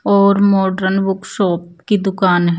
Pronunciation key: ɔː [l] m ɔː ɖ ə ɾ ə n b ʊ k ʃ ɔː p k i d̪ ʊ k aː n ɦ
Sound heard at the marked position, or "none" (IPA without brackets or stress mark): ɾ